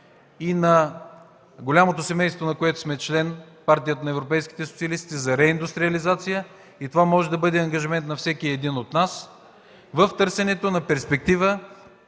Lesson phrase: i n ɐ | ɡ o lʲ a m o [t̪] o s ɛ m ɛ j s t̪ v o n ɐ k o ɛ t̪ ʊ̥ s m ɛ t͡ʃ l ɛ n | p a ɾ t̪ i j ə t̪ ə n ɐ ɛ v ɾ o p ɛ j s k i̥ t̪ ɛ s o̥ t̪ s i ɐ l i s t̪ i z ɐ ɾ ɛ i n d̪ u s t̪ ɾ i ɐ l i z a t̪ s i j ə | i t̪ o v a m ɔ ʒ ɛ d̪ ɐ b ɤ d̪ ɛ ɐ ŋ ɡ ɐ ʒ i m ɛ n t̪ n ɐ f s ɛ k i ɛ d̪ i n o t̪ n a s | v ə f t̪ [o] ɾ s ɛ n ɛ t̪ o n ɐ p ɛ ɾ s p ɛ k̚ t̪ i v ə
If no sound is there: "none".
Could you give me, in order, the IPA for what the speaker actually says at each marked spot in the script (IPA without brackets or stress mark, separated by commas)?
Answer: t̪, ɤ